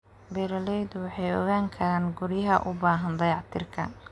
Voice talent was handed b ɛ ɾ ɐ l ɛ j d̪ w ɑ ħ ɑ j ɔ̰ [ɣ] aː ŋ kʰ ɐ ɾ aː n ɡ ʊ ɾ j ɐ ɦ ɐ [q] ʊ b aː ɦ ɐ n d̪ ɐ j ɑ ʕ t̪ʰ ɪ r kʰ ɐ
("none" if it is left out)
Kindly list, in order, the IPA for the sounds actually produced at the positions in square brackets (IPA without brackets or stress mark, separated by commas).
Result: ɣ, ʔ